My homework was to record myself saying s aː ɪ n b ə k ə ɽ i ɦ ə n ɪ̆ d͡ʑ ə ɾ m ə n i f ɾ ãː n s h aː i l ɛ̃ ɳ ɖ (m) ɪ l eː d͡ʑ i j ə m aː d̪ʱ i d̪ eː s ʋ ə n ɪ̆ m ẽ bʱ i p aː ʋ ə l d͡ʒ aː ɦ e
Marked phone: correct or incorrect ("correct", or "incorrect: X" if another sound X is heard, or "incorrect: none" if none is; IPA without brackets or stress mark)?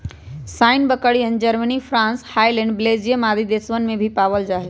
incorrect: b